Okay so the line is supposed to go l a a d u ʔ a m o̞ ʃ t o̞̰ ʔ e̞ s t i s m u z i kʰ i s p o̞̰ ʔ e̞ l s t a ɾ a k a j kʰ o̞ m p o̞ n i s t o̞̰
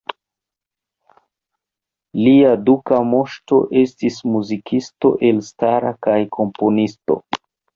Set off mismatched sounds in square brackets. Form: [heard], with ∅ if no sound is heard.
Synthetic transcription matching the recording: l [i] a d u [k] a m o̞ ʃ t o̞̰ ʔ e̞ s t i s m u z i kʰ i s [t] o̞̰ ʔ e̞ l s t a ɾ a k a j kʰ o̞ m p o̞ n i s t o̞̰